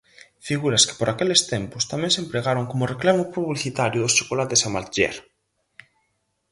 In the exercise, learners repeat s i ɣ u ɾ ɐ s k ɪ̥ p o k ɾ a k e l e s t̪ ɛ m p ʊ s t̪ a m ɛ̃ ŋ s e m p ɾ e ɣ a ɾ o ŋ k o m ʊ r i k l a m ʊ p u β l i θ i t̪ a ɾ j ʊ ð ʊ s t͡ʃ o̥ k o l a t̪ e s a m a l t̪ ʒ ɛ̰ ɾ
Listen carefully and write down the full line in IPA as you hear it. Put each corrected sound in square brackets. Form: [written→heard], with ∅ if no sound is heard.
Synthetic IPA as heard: [s→f] i ɣ u ɾ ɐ s k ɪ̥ p o [k→∅] ɾ a k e l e s t̪ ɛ m p ʊ s t̪ a m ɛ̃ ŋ s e m p ɾ e ɣ a ɾ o ŋ k o m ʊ r [i→e] k l a m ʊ p u β l i θ i t̪ a ɾ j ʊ ð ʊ s t͡ʃ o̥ k o l a t̪ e s a m a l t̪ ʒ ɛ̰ ɾ

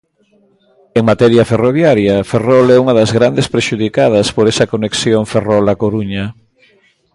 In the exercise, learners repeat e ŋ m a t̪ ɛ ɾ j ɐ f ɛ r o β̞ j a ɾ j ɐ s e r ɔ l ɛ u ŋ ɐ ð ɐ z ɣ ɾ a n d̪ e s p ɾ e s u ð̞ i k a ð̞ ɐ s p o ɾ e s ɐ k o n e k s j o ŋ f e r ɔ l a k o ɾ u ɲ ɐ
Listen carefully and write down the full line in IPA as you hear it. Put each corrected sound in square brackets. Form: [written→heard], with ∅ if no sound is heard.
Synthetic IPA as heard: e ŋ m a t̪ ɛ ɾ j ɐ f [ɛ→e] r o β̞ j a ɾ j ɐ [s→f] e r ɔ l ɛ u ŋ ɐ ð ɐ z ɣ ɾ a n d̪ e s p ɾ e [s→ʃ] u ð̞ i k a ð̞ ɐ s p o ɾ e s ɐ k o n e k s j o ŋ f e r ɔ l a k o ɾ u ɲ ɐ

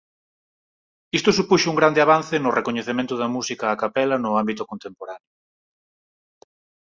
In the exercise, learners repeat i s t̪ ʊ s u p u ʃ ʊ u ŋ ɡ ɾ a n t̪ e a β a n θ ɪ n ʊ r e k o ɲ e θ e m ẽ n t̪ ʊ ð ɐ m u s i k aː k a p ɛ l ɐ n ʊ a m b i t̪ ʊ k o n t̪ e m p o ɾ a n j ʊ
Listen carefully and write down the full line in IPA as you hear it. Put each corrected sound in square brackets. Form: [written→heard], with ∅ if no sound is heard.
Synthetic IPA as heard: i s t̪ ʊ s u p u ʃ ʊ u ŋ ɡ ɾ a n [t̪→d̪] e a β a n θ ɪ n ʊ r e k o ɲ e θ e m ẽ n t̪ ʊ ð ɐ m u s i k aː k a p ɛ l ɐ n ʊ a m b i t̪ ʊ k o n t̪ e m p o ɾ a n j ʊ

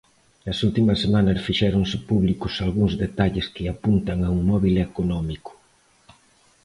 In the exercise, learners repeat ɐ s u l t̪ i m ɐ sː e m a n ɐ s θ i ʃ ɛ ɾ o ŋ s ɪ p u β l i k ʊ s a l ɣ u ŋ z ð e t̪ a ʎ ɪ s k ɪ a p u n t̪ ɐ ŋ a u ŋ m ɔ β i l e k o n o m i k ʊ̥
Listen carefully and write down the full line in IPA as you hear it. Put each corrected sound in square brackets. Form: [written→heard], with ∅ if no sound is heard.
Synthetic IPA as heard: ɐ s u l t̪ i m ɐ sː e m a n ɐ s [θ→f] i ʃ ɛ ɾ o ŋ s ɪ p u β l i k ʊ s a l ɣ u ŋ z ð e t̪ a ʎ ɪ s k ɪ a p u n t̪ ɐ ŋ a u ŋ m ɔ β i l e k o n [o→ɔ] m i k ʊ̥

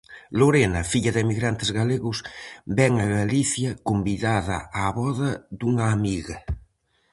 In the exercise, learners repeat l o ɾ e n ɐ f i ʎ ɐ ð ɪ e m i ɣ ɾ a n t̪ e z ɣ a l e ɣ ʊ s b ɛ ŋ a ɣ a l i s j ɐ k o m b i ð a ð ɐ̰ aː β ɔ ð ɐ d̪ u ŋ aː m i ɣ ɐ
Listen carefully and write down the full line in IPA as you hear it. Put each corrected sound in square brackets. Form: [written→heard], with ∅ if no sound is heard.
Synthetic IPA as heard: l o ɾ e n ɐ f i ʎ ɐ ð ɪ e m i ɣ ɾ a n t̪ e z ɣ a l e ɣ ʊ s b ɛ ŋ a ɣ a l i [s→θ] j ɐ k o m b i ð a ð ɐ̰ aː β ɔ ð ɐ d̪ u ŋ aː m i ɣ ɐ

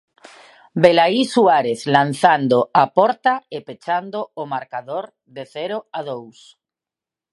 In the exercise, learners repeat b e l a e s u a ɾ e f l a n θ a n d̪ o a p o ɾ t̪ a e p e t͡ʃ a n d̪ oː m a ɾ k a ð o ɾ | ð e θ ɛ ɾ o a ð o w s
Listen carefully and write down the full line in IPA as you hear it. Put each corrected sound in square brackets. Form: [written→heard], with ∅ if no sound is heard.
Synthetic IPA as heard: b e l a [e→i] s u a ɾ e [f→θ] l a n θ a n d̪ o a p [o→ɔ] ɾ t̪ a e p e t͡ʃ a n d̪ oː m a ɾ k a ð o ɾ | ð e θ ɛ ɾ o a ð o w s

